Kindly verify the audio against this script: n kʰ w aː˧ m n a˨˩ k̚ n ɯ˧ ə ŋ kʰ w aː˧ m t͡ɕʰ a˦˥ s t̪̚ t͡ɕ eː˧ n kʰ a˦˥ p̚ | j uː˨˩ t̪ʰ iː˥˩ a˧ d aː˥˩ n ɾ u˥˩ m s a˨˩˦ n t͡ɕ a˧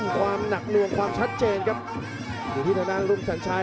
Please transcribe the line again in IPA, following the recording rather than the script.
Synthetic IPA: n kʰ w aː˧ m n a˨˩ k̚ n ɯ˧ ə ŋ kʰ w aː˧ m t͡ɕʰ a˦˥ t̪̚ t͡ɕ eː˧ n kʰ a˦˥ p̚ | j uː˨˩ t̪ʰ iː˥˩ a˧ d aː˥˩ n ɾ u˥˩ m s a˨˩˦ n t͡ɕʰ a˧